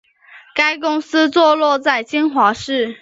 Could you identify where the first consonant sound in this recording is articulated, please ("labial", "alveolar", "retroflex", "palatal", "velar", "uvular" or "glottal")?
velar